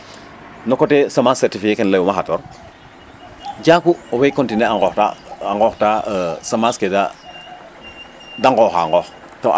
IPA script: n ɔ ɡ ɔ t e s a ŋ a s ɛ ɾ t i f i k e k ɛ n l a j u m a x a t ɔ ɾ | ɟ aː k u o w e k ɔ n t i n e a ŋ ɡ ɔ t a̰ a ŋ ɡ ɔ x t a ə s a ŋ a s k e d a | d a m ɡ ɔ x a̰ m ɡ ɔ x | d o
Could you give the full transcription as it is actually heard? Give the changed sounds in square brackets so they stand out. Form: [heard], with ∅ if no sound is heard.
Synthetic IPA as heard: n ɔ [k] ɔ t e s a [m] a s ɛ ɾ t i f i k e k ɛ n l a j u m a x a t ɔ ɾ | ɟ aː k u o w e k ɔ n t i n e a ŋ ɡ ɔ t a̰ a ŋ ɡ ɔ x t a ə s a [m] a s k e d a | d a [ŋ] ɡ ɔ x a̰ [ŋ] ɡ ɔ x | [t] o